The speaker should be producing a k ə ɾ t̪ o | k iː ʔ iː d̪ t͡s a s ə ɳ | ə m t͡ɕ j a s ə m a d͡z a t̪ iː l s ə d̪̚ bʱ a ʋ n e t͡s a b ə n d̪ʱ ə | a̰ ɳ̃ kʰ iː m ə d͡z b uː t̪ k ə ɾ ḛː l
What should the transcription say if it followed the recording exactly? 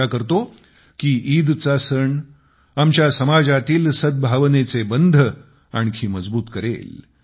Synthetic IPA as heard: a k ə ɾ t̪ o | k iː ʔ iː d̪ t͡s a s ə ɳ | a m t͡ɕ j a s ə m a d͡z a t̪ iː l s ə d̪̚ bʱ a ʋ n e t͡s e b ə n d̪ʱ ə | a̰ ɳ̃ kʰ iː m ə d͡z b uː t̪ k ə ɾ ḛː l